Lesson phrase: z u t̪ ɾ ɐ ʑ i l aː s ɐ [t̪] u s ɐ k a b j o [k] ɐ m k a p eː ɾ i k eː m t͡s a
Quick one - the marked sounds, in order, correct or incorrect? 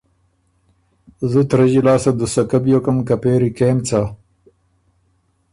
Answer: incorrect: d̪, correct

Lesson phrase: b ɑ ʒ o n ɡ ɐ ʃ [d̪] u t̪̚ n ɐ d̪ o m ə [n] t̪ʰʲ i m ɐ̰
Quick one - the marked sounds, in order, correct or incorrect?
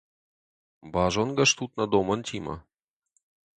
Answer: incorrect: t̪, correct

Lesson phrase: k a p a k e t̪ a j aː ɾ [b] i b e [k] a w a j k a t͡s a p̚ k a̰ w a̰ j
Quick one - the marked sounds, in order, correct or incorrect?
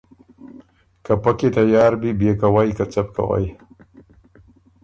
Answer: correct, correct

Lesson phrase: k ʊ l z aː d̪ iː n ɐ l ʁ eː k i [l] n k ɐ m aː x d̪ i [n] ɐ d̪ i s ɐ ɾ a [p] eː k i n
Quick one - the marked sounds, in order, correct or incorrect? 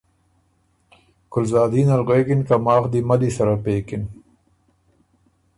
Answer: incorrect: none, incorrect: m, correct

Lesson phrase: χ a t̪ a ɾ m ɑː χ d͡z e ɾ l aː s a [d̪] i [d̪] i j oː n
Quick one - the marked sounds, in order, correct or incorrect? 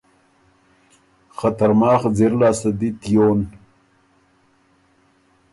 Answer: correct, incorrect: t̪

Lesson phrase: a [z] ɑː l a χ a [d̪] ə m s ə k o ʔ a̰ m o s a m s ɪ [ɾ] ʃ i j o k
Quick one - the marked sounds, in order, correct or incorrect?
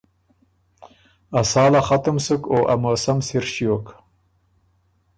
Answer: incorrect: s, incorrect: t̪, correct

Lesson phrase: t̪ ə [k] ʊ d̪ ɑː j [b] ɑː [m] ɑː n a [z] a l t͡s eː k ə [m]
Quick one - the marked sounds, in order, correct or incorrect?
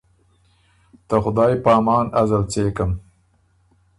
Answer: incorrect: x, incorrect: p, correct, correct, correct

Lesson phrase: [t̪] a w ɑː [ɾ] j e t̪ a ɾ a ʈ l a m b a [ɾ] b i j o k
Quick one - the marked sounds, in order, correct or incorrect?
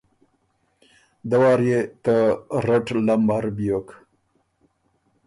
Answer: incorrect: d̪, correct, correct

